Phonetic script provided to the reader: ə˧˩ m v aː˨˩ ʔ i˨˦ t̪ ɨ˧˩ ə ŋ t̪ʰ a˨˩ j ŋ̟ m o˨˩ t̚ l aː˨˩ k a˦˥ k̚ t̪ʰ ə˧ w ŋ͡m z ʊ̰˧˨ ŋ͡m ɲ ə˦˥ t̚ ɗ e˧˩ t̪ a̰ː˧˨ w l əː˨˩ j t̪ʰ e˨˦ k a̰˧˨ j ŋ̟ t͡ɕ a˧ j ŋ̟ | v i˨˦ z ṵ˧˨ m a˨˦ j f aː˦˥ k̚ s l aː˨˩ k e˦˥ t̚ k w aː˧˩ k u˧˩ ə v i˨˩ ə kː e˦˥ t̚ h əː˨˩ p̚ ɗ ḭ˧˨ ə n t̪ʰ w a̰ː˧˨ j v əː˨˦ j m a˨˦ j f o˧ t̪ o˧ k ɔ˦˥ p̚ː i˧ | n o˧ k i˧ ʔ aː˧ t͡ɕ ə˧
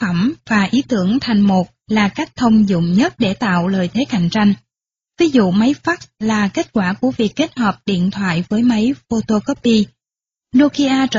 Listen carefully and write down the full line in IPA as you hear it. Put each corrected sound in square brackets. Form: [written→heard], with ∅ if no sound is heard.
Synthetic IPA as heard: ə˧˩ m v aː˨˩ ʔ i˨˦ t̪ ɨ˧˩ ə ŋ t̪ʰ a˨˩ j ŋ̟ m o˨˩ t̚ l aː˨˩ k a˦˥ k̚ t̪ʰ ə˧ w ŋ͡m z ʊ̰˧˨ ŋ͡m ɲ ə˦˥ t̚ ɗ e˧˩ t̪ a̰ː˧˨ w l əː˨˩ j t̪ʰ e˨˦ k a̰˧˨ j ŋ̟ t͡ɕ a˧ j ŋ̟ | v i˨˦ z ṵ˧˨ m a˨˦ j f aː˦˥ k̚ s l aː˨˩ k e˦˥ t̚ k w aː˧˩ k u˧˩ ə v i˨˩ ə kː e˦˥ t̚ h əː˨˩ p̚ ɗ ḭ˧˨ ə n t̪ʰ w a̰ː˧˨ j v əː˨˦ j m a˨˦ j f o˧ t̪ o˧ k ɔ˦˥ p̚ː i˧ | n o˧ k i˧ ʔ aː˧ t͡ɕ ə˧